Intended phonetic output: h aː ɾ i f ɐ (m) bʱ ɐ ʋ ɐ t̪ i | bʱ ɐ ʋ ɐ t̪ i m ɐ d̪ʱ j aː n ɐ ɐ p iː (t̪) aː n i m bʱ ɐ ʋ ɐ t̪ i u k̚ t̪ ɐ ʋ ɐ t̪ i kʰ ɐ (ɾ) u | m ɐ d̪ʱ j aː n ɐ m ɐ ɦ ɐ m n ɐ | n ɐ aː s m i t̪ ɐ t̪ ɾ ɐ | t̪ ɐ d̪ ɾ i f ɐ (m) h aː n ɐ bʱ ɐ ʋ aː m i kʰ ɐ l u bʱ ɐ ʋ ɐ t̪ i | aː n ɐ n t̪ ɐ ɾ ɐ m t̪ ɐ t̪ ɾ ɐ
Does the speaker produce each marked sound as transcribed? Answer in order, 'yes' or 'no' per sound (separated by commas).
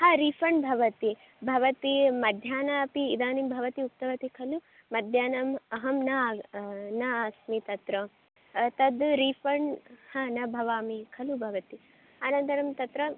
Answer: no, no, no, no